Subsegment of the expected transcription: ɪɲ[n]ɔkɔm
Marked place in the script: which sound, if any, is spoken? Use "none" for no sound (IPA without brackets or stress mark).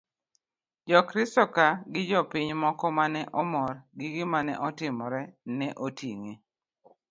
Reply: m